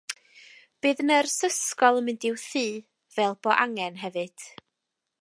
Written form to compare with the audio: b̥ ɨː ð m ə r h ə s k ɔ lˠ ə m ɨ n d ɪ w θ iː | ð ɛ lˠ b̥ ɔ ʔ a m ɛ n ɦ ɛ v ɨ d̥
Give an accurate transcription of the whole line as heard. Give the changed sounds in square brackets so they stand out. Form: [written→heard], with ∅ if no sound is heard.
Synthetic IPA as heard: b̥ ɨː ð [m→n] ə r [h→s] ə s k ɔ lˠ ə m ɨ n d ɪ w θ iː | [ð→v] ɛ lˠ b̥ ɔ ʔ a [m→ŋ] ɛ n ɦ ɛ v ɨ d̥

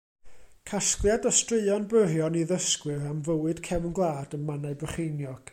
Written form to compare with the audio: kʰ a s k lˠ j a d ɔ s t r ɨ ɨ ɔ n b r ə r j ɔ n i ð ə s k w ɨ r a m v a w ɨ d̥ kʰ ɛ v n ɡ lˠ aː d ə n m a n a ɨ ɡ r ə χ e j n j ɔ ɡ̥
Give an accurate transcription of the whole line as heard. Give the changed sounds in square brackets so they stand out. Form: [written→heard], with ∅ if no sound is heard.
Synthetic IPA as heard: kʰ a s k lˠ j a d ɔ s t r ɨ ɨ ɔ n b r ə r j ɔ n i ð ə s k w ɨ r a m v [a→ə] w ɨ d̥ kʰ ɛ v n ɡ lˠ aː d ə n m a n a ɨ [ɡ→b] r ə χ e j n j ɔ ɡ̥

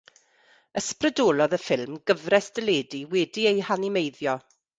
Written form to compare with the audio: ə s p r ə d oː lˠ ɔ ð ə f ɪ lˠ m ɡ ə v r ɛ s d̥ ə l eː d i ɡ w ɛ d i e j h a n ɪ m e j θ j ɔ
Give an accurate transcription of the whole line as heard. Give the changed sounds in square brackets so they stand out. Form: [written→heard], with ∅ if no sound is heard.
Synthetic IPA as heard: ə s p r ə d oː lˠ ɔ ð ə f ɪ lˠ m ɡ ə v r ɛ s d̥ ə l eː d i [ɡ→∅] w ɛ d i e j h a n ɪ m e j [θ→ð] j ɔ

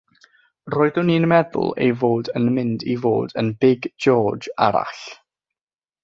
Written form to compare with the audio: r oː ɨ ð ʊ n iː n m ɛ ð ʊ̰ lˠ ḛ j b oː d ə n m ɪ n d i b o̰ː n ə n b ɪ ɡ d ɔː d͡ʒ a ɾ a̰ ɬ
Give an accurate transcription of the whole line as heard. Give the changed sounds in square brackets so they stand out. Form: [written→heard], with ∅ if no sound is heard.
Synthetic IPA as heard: r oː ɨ ð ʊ n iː n m ɛ ð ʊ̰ lˠ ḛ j [b→v] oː d ə n m ɪ n d i [b→v] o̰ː [n→d] ə n b ɪ ɡ [d→d͡ʒ] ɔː d͡ʒ a ɾ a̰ ɬ

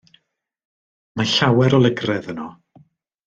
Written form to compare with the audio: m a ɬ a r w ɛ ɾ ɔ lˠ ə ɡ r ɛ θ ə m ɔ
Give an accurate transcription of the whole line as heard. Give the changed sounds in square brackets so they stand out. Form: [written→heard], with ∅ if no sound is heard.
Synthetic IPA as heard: m a ɬ a [r→∅] w ɛ ɾ ɔ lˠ ə ɡ r ɛ [θ→ð] ə [m→n] ɔ

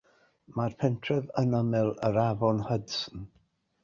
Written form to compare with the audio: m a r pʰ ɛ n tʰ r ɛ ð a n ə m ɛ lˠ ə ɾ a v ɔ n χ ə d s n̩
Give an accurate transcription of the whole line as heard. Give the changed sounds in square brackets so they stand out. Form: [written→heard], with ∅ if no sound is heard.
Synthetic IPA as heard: m a r pʰ ɛ n tʰ r ɛ ð [a→ə] n ə m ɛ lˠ ə ɾ a v ɔ n [χ→h] ə d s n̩

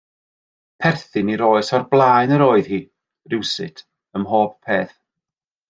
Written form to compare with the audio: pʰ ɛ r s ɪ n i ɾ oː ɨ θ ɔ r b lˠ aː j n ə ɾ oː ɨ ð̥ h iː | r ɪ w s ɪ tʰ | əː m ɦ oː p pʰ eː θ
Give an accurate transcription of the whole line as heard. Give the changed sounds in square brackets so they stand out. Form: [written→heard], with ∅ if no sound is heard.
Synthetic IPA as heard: pʰ ɛ r [s→θ] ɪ n i ɾ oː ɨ [θ→s] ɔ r b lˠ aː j n ə ɾ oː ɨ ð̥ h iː | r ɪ w s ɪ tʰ | [əː→ə] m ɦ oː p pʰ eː θ

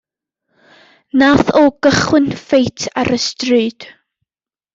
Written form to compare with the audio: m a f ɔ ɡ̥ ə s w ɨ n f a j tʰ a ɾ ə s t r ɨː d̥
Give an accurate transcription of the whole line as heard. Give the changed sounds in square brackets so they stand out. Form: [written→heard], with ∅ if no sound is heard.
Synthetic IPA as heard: [m→n] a [f→θ] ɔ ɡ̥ ə [s→χ] w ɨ n f [a→e] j tʰ a ɾ ə s t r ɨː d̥

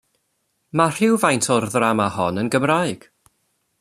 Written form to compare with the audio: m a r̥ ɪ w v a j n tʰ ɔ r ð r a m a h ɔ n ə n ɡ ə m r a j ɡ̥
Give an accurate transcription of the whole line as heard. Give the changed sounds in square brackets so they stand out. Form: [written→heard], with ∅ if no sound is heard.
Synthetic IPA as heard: m a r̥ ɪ w v a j n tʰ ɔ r ð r a m a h ɔ n ə n ɡ ə m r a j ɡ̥

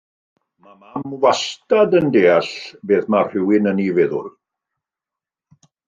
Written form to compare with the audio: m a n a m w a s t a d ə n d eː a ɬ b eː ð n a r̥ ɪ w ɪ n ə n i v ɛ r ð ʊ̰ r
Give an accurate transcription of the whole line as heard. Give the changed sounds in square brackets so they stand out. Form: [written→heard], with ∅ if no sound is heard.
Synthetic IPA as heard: m a [n→m] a m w a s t a d ə n d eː a ɬ b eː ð [n→m] a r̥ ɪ w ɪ n ə n i v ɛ [r→∅] ð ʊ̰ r

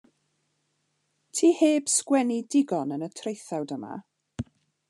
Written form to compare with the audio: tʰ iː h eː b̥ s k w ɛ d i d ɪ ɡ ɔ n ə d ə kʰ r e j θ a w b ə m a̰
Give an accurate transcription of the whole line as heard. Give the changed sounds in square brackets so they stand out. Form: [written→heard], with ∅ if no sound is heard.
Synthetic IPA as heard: tʰ iː h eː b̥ s k w ɛ [d→n] i d ɪ ɡ ɔ n ə [d→n] ə [kʰ→tʰ] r e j θ a w [b→d] ə m a̰

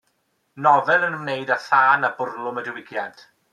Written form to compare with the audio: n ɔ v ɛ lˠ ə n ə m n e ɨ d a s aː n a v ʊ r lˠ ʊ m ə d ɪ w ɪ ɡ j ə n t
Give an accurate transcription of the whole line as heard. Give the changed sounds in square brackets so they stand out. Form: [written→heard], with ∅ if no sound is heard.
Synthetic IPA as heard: n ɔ v ɛ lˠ ə n ə m n e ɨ d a [s→θ] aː n a [v→b] ʊ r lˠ ʊ m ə d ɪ w ɪ ɡ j [ə→a] n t

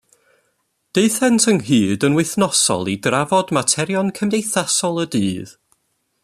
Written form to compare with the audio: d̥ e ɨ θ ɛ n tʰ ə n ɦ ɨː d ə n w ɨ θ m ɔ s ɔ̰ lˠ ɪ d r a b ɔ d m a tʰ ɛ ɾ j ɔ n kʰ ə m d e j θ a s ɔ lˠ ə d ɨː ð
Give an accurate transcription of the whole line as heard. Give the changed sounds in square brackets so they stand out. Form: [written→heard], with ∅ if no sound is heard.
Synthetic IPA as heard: d̥ e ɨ θ ɛ n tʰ ə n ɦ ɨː d ə n w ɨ θ [m→n] ɔ s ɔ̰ lˠ [ɪ→i] d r a [b→v] ɔ d m a tʰ ɛ ɾ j ɔ n kʰ ə m d e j θ a s ɔ lˠ ə d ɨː ð

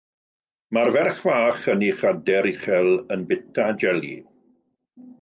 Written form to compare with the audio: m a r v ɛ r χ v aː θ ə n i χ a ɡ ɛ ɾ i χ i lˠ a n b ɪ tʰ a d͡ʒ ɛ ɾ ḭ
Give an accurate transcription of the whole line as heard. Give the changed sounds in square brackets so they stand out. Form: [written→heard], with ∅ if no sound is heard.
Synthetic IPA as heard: m a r v ɛ r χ v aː [θ→χ] ə n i χ a [ɡ→d] ɛ ɾ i χ [i→ɛ] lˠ [a→ə] n b ɪ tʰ a d͡ʒ ɛ [ɾ→l] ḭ

